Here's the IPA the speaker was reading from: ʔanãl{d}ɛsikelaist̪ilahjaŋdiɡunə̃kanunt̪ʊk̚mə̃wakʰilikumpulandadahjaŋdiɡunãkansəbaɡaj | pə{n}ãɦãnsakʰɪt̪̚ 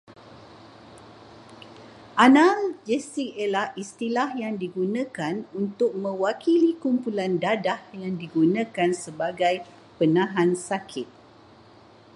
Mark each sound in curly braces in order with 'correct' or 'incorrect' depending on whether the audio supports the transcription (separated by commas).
incorrect, correct